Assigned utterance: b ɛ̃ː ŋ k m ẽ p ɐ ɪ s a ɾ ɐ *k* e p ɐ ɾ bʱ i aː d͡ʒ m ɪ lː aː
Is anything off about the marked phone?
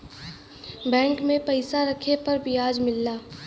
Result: yes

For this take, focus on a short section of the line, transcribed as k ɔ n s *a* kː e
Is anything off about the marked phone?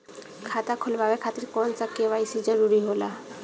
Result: no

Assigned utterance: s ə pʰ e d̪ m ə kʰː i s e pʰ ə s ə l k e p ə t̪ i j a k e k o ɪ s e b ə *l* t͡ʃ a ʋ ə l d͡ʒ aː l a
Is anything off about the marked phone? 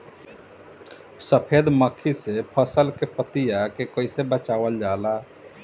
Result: yes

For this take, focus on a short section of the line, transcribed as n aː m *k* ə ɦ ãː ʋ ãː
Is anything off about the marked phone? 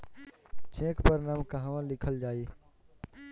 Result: no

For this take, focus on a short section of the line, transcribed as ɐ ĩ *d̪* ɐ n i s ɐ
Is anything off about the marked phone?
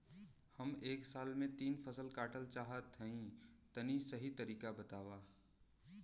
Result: yes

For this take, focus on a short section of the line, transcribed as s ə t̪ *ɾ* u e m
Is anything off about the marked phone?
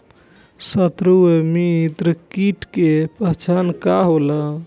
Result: no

